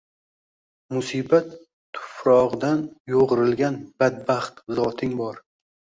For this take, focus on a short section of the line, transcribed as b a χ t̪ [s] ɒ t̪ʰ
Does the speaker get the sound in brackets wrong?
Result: yes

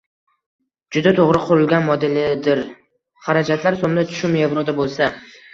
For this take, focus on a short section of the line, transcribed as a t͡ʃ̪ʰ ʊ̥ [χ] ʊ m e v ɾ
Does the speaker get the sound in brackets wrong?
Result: yes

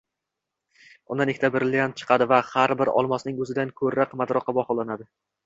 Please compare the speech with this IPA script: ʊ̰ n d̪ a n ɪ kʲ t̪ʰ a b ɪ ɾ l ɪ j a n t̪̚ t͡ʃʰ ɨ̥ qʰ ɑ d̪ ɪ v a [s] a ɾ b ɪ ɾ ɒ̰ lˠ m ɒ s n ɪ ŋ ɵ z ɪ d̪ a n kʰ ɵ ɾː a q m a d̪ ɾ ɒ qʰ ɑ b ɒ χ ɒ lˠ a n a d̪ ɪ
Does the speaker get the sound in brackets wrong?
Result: yes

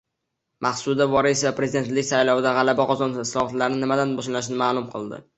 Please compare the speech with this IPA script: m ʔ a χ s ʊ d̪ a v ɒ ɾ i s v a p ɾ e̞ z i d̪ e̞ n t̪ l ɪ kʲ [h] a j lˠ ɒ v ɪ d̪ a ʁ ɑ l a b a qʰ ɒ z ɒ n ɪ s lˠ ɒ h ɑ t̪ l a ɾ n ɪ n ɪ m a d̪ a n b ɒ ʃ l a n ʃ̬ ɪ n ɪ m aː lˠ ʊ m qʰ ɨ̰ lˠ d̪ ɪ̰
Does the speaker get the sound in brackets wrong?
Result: yes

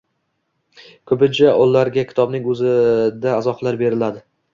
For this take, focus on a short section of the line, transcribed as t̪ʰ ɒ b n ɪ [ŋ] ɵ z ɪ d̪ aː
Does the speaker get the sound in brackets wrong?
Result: no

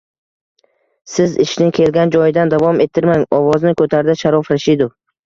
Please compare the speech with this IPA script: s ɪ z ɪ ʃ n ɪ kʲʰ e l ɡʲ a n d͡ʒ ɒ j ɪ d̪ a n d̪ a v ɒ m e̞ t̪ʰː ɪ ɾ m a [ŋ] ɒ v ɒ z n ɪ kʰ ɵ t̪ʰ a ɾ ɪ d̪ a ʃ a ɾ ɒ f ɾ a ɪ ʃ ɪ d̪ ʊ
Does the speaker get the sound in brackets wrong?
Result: no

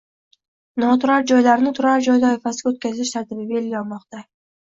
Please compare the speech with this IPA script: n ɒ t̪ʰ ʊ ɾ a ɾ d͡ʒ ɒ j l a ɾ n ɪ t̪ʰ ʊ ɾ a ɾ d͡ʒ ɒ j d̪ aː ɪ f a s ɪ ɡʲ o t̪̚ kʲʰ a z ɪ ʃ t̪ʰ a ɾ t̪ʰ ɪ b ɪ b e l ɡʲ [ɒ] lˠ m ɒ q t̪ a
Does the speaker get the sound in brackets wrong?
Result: no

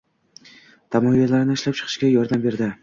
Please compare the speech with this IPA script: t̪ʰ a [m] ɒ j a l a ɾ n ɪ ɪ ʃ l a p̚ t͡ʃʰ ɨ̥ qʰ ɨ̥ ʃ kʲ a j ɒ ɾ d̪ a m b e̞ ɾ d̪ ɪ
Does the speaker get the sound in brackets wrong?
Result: no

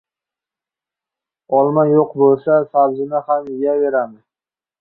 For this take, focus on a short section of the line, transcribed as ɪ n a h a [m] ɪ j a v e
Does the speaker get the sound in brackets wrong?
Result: no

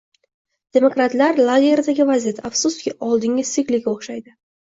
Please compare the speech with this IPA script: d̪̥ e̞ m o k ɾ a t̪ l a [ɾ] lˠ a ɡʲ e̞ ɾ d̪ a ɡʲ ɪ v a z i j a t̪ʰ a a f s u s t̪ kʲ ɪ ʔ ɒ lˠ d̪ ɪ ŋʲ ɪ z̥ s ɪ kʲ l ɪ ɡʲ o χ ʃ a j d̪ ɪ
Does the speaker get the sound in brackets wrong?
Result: no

